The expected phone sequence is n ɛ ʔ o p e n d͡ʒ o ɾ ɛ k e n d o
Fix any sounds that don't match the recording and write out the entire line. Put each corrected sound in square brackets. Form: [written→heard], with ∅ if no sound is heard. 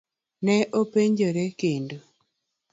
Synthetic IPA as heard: n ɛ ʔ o p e [n→ɲ] d͡ʒ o ɾ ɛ k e n d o